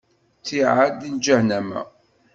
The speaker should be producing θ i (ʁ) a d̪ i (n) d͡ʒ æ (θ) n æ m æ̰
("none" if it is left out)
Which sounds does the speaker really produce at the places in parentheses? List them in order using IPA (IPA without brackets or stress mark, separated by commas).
ʕ, n, h